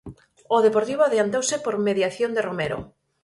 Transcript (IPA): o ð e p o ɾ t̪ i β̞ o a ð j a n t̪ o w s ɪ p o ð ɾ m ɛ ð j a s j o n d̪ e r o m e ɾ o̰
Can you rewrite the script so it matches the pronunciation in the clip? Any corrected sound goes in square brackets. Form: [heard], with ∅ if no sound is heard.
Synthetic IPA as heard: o ð e p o ɾ t̪ i β̞ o a ð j a n t̪ o w s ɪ p o [∅] ɾ m [e] ð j a [θ] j o n d̪ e r o m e ɾ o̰